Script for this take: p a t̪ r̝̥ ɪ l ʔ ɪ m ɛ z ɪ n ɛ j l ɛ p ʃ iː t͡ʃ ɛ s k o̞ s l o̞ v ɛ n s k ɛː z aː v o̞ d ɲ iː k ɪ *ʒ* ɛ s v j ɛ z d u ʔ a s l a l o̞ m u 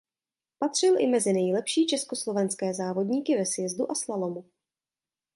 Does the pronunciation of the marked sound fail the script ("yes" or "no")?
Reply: yes